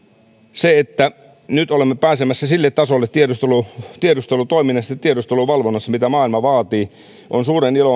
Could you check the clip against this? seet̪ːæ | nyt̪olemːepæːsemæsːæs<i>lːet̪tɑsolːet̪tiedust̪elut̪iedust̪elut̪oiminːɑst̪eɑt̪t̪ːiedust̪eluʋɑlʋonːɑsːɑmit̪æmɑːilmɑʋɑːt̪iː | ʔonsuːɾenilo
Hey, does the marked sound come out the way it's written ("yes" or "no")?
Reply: yes